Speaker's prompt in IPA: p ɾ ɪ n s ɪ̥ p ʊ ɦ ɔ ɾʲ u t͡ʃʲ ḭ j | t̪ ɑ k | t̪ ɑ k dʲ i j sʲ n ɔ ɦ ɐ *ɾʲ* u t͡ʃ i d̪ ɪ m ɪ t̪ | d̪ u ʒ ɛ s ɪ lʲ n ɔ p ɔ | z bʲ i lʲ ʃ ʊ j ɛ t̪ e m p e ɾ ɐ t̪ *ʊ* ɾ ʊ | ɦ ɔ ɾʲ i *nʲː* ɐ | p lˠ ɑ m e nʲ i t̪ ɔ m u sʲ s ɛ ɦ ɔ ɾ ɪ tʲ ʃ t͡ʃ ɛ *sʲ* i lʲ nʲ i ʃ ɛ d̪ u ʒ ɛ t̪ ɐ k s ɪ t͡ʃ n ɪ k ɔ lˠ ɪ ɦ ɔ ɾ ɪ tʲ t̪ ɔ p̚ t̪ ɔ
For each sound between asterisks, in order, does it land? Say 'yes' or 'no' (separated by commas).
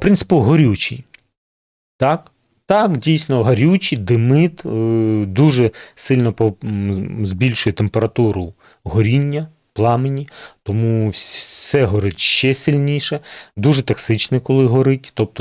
yes, no, yes, yes